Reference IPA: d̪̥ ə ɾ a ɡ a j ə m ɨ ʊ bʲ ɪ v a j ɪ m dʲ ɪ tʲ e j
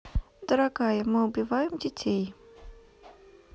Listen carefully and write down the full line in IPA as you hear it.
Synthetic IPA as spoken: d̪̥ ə ɾ a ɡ a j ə m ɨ ʊ bʲ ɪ v a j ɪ m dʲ ɪ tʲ e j